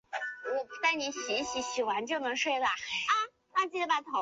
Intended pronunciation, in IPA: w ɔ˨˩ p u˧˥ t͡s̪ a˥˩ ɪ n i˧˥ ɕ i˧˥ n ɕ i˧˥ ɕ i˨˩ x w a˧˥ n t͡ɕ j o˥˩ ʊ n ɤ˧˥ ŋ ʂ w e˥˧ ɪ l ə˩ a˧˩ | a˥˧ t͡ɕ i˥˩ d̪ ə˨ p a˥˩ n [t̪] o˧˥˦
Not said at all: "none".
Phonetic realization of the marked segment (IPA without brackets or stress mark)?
t̪ʰ